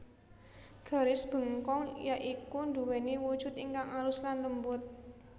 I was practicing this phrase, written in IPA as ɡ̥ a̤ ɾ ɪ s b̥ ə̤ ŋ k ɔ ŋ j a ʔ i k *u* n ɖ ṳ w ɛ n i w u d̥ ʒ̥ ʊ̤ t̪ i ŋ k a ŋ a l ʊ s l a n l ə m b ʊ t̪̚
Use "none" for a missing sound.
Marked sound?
u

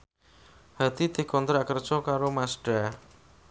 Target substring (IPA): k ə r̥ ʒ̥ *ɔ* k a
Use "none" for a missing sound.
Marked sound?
ɔ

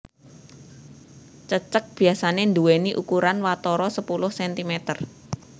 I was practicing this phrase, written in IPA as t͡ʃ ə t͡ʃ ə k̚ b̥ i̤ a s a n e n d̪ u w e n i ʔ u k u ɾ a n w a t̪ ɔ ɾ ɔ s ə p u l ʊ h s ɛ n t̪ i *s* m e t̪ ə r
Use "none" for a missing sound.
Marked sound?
none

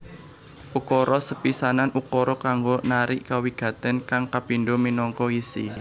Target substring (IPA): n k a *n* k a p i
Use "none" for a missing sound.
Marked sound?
ŋ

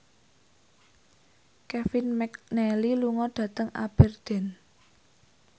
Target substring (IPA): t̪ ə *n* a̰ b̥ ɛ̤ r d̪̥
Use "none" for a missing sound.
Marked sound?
ŋ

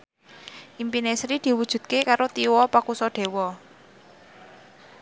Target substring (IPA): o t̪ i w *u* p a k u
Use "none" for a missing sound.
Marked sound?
ɔ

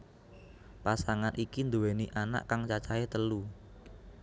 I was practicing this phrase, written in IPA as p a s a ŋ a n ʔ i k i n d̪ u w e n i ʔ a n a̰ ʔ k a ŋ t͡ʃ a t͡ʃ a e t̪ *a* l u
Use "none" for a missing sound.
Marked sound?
ə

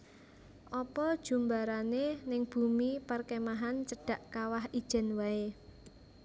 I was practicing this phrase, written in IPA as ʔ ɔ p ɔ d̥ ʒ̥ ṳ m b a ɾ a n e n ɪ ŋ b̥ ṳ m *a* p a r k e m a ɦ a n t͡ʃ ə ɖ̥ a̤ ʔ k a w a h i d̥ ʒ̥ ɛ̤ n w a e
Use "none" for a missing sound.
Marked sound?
i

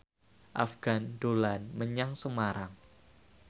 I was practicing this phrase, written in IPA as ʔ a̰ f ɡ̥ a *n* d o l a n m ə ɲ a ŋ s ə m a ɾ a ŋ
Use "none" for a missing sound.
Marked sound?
n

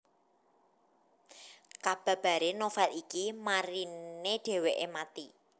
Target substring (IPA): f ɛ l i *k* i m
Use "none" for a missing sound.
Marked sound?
k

